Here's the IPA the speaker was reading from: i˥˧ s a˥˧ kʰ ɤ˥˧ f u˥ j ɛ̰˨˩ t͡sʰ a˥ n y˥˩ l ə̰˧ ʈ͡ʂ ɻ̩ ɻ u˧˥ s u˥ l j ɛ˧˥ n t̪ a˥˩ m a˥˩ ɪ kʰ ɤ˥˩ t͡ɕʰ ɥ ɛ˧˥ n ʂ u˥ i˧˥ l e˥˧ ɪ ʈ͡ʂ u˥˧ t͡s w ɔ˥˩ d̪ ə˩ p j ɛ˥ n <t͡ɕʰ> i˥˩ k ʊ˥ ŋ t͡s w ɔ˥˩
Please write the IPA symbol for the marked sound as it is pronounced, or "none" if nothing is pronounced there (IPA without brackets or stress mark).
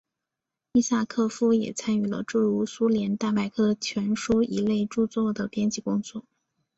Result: t͡ɕ